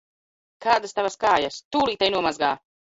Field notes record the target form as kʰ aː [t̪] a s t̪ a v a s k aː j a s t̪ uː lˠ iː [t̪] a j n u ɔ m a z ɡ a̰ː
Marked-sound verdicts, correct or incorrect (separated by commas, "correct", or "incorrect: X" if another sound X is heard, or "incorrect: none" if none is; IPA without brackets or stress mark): incorrect: d̪, correct